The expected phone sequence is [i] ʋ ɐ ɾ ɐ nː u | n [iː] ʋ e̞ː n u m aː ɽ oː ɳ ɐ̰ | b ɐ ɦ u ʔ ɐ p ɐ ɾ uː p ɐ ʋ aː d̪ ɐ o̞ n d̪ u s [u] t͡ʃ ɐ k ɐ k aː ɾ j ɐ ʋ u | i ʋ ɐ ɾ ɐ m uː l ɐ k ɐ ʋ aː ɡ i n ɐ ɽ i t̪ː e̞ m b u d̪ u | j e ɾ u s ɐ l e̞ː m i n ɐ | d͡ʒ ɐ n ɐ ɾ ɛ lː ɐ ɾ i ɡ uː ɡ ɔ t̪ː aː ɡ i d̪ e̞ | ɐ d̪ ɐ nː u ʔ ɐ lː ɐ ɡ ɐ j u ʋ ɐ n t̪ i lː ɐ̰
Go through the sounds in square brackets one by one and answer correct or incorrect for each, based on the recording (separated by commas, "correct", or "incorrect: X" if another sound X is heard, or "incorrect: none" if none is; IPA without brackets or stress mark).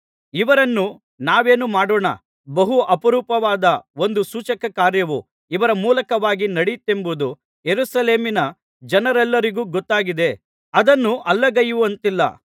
correct, incorrect: aː, incorrect: uː